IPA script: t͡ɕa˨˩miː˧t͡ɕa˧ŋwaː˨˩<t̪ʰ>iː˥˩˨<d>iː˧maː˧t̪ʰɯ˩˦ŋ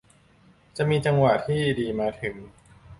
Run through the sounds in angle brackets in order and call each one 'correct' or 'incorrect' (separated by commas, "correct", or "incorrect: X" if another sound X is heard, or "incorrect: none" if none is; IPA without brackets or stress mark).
correct, correct